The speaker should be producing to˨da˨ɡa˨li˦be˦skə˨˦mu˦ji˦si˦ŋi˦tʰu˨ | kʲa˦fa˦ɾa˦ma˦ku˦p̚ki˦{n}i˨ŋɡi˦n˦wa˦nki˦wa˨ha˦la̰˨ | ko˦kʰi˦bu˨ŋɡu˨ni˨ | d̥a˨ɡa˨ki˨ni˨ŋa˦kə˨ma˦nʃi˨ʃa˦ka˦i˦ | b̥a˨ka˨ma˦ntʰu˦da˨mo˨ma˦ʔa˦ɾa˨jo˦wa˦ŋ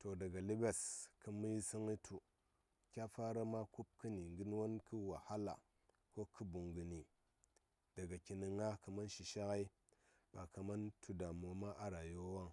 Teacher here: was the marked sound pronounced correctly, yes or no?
yes